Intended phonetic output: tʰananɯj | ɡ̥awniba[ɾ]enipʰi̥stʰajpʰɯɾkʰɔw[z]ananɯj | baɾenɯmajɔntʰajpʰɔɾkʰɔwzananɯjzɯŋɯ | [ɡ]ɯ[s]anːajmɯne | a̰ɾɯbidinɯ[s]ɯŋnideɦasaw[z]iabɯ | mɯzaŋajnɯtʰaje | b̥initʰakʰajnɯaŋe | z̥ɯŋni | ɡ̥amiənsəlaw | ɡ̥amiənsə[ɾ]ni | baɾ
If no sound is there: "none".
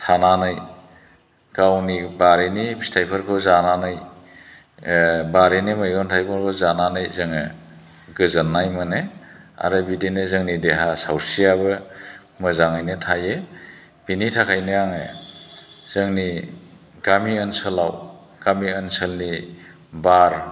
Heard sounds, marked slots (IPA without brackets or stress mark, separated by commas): ɾ, z, ɡ, z, z, s, l